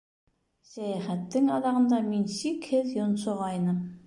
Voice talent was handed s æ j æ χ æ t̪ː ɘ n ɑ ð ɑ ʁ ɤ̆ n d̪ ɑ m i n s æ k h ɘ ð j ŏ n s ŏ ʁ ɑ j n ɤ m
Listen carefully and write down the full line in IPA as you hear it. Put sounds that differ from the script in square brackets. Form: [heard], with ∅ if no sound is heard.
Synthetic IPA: s æ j æ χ æ t̪ː ɘ [ŋ] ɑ ð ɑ ʁ ɤ̆ n d̪ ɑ m i n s [i] k h ɘ ð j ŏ n s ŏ ʁ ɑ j n ɤ m